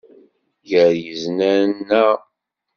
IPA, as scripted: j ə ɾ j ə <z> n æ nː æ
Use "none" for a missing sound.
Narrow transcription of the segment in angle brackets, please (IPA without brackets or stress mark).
z